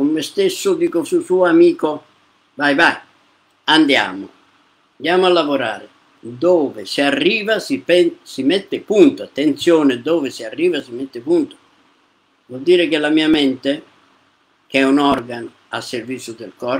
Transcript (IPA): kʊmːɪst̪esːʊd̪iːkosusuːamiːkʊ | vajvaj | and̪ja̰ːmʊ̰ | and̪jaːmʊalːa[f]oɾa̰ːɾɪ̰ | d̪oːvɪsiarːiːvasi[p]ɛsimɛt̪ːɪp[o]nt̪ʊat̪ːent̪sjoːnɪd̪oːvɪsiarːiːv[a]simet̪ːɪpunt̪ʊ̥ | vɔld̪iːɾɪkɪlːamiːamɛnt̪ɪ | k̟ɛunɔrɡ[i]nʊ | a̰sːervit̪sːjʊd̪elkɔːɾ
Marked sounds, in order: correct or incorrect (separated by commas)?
incorrect, correct, incorrect, correct, incorrect